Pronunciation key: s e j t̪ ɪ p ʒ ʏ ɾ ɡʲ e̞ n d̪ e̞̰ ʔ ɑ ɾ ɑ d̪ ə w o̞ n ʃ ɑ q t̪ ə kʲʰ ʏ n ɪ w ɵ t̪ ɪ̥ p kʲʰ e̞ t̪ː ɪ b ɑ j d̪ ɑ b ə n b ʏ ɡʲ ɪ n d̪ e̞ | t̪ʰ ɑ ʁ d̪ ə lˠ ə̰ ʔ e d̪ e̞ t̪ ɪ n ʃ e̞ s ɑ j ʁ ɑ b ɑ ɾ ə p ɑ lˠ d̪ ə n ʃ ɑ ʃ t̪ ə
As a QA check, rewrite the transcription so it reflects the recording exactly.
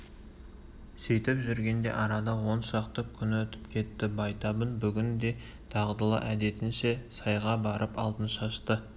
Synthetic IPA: s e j t̪ ɪ p ʒ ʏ ɾ ɡʲ e̞ n d̪ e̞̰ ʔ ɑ ɾ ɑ d̪ ɑ w o̞ n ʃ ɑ q t̪ ə kʲʰ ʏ n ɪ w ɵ t̪ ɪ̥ p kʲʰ e̞ t̪ː ɪ b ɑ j t̪ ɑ b ə n b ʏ ɡʲ ɪ n d̪ e̞ | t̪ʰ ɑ ʁ d̪ ə lˠ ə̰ ʔ æ d̪ e̞ t̪ ɪ n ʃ e̞ s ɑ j ʁ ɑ b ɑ ɾ ə p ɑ lˠ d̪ ə n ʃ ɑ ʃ t̪ ə